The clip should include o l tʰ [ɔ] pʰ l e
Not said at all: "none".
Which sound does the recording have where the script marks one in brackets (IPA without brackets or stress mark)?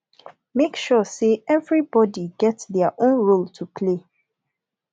u